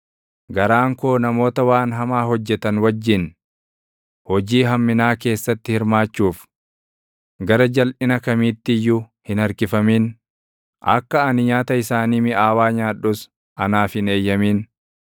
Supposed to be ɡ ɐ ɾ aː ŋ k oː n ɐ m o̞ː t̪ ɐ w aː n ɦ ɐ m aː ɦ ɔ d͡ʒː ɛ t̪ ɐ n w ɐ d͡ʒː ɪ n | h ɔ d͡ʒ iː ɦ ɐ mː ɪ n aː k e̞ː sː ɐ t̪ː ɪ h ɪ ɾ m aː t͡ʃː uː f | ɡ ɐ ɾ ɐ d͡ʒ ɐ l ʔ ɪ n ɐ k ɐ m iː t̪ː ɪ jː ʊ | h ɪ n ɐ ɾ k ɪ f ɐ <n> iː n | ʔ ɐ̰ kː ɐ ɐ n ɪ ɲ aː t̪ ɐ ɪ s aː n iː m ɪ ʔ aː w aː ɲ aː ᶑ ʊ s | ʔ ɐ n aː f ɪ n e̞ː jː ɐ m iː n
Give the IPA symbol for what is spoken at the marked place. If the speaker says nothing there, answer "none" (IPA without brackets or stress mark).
m